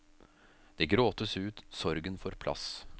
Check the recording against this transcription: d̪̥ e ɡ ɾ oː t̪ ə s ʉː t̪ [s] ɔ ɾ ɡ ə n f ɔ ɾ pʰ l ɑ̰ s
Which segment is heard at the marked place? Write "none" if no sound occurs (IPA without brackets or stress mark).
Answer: s